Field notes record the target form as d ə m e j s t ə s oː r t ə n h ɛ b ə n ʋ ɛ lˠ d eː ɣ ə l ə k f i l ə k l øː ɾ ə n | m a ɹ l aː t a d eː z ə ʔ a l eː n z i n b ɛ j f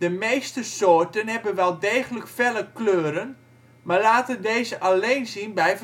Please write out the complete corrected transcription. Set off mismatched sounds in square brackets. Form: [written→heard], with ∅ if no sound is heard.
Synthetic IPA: d ə m e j s t ə s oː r t ə n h ɛ b ə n ʋ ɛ lˠ d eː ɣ ə l ə k f [i→ɛ] l ə k l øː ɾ ə n | m a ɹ l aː t [a→ə] d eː z ə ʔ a l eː n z i n b ɛ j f

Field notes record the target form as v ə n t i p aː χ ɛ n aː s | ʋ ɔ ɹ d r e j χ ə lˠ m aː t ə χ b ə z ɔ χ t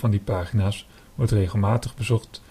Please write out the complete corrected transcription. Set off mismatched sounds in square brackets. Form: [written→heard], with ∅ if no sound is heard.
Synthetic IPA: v [ə→ɑ] n [t→d] i p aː χ [ɛ→i] n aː s | ʋ ɔ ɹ [d→t] r e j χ ə lˠ m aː t ə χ b ə z ɔ χ t

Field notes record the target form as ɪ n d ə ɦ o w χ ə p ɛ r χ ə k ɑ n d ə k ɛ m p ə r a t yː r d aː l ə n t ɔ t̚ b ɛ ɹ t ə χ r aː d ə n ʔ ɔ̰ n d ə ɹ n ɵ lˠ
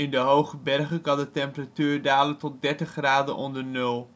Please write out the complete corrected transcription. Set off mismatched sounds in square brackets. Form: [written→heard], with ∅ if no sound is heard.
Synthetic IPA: ɪ n d ə ɦ o w χ ə [p→b] ɛ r χ ə k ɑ n d ə [k→t] ɛ m p ə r a t yː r d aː l ə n t ɔ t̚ [b→d] ɛ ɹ t ə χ r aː d ə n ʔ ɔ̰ n d ə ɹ n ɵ lˠ

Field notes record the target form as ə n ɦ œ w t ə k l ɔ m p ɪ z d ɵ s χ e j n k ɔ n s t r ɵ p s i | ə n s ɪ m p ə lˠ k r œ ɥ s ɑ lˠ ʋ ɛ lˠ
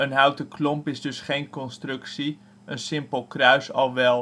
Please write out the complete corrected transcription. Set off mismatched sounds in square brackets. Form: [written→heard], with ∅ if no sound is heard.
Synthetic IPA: ə n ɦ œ w t ə k l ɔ m p ɪ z d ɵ s χ e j n k ɔ n s t r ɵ [p→k] s i | ə n s ɪ m p ə lˠ k r œ ɥ s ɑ lˠ ʋ ɛ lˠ

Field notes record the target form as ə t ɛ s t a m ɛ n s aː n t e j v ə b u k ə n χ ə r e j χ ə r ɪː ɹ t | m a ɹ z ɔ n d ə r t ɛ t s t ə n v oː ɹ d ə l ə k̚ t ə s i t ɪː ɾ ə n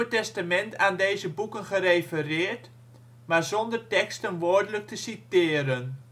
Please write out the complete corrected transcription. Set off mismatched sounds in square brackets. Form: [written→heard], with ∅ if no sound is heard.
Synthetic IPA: ə t ɛ s t a m ɛ n [s→t] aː n [t→d] e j [v→z] ə b u k ə n χ ə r e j [χ→f] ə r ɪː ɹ t | m a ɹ z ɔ n d ə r t ɛ [t→k] s t ə n [v→ʋ] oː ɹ d ə l ə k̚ t ə s i t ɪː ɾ ə n

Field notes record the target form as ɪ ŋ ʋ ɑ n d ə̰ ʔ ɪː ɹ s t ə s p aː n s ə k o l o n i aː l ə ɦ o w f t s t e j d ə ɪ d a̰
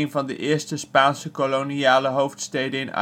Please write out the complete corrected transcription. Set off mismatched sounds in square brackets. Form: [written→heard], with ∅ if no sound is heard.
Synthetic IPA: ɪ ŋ [ʋ→v] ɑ n d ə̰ ʔ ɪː ɹ s t ə s p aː n s ə k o l o n i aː l ə ɦ o w f t s t e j d ə ɪ [d→n] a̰

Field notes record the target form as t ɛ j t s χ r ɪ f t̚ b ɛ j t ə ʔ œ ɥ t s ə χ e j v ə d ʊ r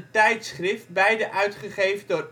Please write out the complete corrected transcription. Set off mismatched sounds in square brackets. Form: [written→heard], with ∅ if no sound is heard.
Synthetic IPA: t ɛ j t s χ r ɪ f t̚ b ɛ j [t→d] ə ʔ œ ɥ t [s→χ] ə χ e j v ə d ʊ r

